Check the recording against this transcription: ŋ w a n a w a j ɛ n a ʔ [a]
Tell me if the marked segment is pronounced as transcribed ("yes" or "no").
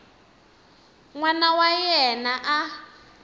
yes